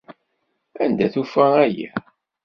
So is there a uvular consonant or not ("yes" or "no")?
no